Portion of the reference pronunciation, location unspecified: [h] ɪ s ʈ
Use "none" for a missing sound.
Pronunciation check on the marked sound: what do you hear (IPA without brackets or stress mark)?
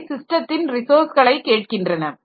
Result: s